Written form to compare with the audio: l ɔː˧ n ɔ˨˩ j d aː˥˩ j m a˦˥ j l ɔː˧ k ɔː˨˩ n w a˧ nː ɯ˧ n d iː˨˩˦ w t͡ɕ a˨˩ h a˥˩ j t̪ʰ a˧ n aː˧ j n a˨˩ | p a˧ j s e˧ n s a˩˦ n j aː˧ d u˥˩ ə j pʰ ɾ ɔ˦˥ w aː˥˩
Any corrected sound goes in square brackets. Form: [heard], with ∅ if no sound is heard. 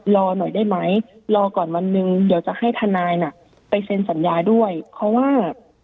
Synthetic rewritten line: l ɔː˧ n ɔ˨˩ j d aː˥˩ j m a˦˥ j l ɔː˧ k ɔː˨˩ n w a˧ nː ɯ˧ [ŋ] d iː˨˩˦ w t͡ɕ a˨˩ h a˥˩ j t̪ʰ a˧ n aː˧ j n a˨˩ | p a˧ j s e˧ n s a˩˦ n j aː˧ d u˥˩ ə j pʰ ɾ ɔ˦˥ w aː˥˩